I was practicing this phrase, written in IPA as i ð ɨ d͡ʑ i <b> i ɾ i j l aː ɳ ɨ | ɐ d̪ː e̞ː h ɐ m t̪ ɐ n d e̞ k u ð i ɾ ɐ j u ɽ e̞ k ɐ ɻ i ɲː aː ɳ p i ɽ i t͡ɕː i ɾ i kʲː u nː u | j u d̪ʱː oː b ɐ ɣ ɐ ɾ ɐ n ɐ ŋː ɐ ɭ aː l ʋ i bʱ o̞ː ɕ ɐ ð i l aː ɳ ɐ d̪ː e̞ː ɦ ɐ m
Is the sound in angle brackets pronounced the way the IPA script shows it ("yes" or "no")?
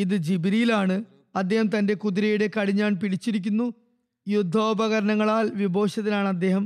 yes